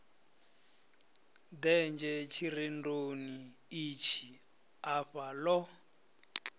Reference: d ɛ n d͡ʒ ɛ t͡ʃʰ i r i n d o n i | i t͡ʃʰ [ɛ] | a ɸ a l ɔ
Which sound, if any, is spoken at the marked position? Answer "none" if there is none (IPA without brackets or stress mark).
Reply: i